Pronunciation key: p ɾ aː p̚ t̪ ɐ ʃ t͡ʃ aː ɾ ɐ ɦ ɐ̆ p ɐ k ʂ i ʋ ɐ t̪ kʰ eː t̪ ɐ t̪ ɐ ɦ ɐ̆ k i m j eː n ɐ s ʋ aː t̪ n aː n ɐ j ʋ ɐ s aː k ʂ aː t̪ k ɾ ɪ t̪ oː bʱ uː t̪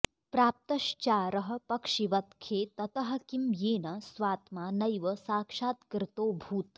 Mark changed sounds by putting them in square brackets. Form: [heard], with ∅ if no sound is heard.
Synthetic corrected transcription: p ɾ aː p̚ t̪ ɐ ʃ t͡ʃ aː ɾ ɐ ɦ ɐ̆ p ɐ k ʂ i ʋ ɐ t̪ kʰ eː t̪ ɐ t̪ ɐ ɦ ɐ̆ k i m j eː n ɐ s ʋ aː t̪ [m] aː n ɐ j ʋ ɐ s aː k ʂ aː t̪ k ɾ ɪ t̪ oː bʱ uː t̪